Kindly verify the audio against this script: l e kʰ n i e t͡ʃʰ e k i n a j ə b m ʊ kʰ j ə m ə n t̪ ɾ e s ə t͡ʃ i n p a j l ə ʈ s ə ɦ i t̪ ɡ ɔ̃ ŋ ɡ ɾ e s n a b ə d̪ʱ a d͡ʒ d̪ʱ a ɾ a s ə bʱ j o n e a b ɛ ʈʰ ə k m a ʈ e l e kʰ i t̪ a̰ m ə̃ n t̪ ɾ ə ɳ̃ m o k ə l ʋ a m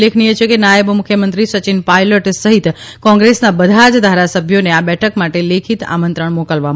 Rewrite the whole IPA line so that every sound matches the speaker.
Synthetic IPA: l e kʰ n i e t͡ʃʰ e k e n a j ə b m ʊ kʰ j ə m ə n t̪ ɾ i s ə t͡ʃ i n p a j l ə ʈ s ə ɦ i t̪ k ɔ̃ ŋ ɡ ɾ e s n a b ə d̪ʱ a d͡ʒ d̪ʱ a ɾ a s ə bʱ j o n e a b ɛ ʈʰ ə k m a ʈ e l e kʰ i t̪ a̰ m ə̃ n t̪ ɾ ə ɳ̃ m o k ə l ʋ a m

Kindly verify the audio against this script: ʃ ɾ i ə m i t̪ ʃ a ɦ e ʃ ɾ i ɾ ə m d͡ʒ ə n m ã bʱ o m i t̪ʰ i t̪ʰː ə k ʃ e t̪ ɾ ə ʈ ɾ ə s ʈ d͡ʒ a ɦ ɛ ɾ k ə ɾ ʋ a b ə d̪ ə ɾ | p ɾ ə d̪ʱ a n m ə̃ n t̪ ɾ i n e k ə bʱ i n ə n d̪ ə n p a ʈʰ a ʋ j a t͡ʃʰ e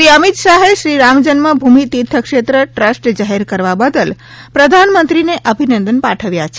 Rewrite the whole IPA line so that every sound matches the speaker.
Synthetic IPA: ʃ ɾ i ə m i t̪ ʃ a ɦ e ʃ ɾ i ɾ a m d͡ʒ ə n m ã bʱ u m i t̪ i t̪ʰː ə k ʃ e t̪ ɾ ə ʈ ɾ ə s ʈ d͡ʒ a ɦ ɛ ɾ k ə ɾ ʋ a b ə d̪ ə l | p ɾ ə d̪ʱ a n m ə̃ n t̪ ɾ i n e ʔ ə bʱ i n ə n d̪ ə n p a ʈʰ ə ʋ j a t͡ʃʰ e

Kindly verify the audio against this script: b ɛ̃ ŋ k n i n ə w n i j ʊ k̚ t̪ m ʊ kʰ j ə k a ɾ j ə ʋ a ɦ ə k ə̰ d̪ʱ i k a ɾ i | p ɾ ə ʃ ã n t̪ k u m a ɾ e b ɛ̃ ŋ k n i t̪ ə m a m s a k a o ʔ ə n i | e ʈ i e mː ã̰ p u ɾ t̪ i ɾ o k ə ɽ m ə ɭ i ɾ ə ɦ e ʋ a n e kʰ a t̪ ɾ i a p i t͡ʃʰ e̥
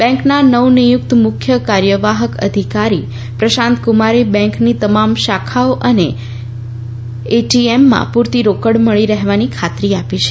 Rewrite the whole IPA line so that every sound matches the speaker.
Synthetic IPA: b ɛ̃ ŋ k n a n ə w n i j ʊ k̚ t̪ m ʊ kʰ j ə k a ɾ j ə ʋ a ɦ ə k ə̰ d̪ʱ i k a ɾ i | p ɾ ə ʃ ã n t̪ k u m a ɾ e b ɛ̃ ŋ k n i t̪ ə m a m ʃ a kʰ a o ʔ ə n e | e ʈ i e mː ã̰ p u ɾ t̪ i ɾ o k ə ɽ m ə ɭ i ɾ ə ɦ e ʋ a n i kʰ a t̪ ɾ i a p i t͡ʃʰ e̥

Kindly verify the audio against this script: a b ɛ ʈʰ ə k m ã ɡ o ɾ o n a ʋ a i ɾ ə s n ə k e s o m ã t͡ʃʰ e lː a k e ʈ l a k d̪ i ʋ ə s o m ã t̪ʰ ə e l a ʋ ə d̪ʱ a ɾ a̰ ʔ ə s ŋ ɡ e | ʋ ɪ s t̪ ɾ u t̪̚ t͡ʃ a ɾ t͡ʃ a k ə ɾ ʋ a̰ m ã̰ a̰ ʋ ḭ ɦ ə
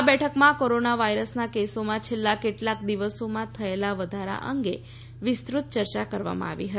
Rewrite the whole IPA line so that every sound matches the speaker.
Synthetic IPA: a b ɛ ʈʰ ə k m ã k o ɾ o n a ʋ a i ɾ ə s n a k e s o m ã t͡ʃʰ e lː a k e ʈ l a k d̪ i ʋ ə s o m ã t̪ʰ ə e l a ʋ ə d̪ʱ a ɾ a̰ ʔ ə ŋ ɡ e | ʋ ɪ s t̪ ɾ u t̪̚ t͡ʃ ə ɾ t͡ʃ a k ə ɾ ʋ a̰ m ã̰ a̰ ʋ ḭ ɦ ə

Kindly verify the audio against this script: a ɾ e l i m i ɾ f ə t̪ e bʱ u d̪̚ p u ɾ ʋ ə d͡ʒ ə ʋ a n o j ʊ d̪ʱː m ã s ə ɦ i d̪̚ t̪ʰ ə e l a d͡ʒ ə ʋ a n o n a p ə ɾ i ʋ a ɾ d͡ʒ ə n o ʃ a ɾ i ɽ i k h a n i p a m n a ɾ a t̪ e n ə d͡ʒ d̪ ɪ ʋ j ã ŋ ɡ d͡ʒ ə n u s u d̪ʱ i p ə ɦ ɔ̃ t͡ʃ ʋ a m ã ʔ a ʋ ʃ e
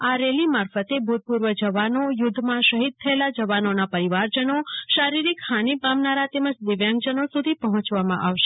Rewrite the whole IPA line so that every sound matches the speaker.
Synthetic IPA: a ɾ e l i m a ɾ f ə t̪ e bʱ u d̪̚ p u ɾ ʋ ə d͡ʒ ə ʋ a n o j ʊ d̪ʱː m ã ʃ ə ɦ i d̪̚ t̪ʰ ə e l a d͡ʒ ə ʋ a n o n a p ə ɾ i ʋ a ɾ d͡ʒ ə n o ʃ a ɾ i ɾ i k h a n i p a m n a ɾ a t̪ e m ə d͡ʒ d̪ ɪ ʋ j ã ŋ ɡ d͡ʒ ə n o s u d̪ʱ i p ə ɦ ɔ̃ t͡ʃ ʋ a m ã ʔ a ʋ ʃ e

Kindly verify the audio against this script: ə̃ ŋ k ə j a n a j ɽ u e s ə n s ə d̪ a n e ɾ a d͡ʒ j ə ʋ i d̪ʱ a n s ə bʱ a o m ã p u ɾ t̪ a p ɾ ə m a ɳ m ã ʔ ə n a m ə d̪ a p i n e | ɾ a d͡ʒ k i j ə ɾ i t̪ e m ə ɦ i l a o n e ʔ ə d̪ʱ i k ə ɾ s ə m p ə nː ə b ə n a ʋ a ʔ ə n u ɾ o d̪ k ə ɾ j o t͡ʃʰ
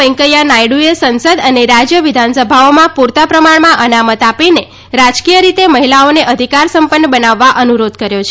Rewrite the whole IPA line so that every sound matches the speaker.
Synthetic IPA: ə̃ ŋ k ə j a n a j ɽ u e s ə n s ə d̪ ə n e ɾ a d͡ʒ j ə ʋ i d̪ʱ a n s ə bʱ a o m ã p u ɾ t̪ a p ɾ ə m a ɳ m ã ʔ ə n a m ə t̪ a p i n e | ɾ a d͡ʒ k i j ə ɾ i t̪ e m ə ɦ i l a o n e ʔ ə d̪ʱ i k a ɾ s ə m p ə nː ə b ə n a ʋː a ʔ ə n u ɾ o d̪ k ə ɾ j o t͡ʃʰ

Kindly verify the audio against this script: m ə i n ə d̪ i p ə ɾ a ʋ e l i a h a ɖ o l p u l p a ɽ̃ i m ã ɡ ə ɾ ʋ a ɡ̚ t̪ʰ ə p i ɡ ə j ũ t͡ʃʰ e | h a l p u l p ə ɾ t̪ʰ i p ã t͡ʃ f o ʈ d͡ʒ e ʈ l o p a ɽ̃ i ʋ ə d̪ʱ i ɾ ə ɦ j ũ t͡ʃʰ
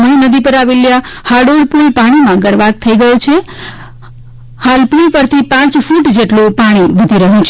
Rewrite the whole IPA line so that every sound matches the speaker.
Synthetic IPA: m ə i n ə d̪ i p ə ɾ a ʋ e l j a h a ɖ o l p u l p a ɽ̃ i m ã ɡ ə ɾ ʋ a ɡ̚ t̪ʰ ə i ɡ ə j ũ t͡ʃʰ e | h a l p u l p ə ɾ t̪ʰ i p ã t͡ʃ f u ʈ d͡ʒ e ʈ l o p a ɽ̃ i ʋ ə d̪ʱ i ɾ ə ɦ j ũ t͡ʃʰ

